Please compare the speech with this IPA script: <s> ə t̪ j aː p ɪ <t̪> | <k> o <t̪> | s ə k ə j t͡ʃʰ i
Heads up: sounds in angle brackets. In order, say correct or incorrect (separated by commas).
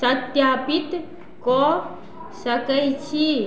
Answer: correct, correct, correct, incorrect